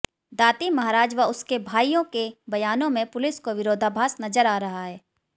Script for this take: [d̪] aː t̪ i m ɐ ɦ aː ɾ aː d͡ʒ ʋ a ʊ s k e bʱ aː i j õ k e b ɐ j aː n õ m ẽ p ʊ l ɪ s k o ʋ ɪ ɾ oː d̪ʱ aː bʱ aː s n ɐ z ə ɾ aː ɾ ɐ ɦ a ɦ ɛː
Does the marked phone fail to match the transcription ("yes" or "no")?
no